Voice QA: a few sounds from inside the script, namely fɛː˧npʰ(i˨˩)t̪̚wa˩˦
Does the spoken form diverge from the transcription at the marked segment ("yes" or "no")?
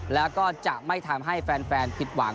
no